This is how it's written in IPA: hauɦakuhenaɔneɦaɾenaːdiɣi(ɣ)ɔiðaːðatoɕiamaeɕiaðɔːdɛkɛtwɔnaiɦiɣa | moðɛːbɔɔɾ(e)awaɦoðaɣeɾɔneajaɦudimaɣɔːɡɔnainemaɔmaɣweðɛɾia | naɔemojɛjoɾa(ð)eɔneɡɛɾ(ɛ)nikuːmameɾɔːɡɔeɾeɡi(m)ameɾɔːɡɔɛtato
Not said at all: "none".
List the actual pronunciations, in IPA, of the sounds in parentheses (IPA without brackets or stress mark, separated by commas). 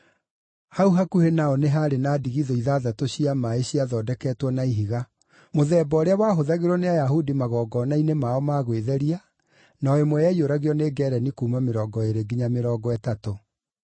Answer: ð, e, ɣ, ɛ, ɲ